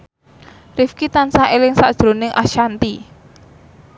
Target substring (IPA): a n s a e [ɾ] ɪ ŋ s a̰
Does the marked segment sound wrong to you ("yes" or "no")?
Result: yes